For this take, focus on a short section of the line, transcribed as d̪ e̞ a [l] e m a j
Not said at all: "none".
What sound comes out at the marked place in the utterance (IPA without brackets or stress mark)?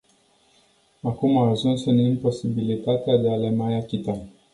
l